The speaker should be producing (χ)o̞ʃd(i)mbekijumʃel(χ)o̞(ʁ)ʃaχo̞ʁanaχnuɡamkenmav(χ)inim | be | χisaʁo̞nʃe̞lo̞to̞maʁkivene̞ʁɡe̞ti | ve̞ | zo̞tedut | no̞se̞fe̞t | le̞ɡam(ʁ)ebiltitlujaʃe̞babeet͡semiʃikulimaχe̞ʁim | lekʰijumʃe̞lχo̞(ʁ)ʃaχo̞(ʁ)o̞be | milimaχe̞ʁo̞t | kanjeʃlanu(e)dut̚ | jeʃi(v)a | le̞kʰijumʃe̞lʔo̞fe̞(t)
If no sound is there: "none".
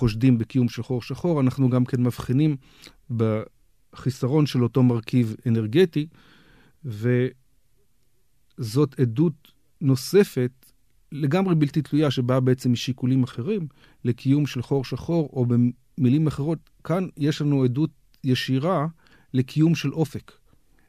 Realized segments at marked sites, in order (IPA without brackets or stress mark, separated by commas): χ, i, χ, ʁ, χ, ʁ, ʁ, ʁ, e, ʁ, k